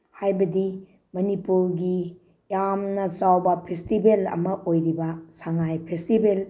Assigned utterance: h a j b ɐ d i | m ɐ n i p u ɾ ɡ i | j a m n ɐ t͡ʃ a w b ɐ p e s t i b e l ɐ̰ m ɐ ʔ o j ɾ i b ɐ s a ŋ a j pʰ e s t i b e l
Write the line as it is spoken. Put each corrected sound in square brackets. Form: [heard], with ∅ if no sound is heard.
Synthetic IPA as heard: h a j b ɐ d i | m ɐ n i p u ɾ ɡ i | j a m n ɐ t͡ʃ a w b ɐ [pʰ] e s t i b e l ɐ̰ m ɐ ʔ o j ɾ i b ɐ s a ŋ a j pʰ e s t i b e l